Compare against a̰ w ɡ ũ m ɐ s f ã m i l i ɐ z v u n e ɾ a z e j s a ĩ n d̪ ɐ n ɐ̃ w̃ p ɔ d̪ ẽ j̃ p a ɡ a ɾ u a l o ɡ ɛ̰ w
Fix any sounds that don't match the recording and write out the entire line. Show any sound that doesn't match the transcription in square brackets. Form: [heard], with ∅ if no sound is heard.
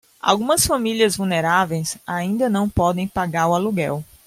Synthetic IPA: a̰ w ɡ ũ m ɐ s f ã m i l i ɐ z v u n e ɾ a [v] e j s a ĩ n d̪ ɐ n ɐ̃ w̃ p ɔ d̪ ẽ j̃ p a ɡ a ɾ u a l [u] ɡ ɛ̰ w